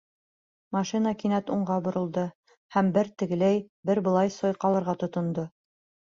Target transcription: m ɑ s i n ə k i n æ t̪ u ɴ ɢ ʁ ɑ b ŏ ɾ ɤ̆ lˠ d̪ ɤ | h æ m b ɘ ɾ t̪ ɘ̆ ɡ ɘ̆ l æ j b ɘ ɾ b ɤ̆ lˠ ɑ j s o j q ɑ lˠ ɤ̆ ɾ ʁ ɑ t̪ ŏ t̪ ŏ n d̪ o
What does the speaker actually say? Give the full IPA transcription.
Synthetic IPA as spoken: m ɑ ʃ i n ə k i n æ t̪ u ɴ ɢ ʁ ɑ b ŏ ɾ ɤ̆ lˠ d̪ ɤ | h æ m b ɘ ɾ t̪ ɘ̆ ɡ ɘ̆ l æ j b ɘ ɾ b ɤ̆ lˠ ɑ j s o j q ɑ lˠ ɤ̆ ɾ ʁ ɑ t̪ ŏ t̪ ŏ n d̪ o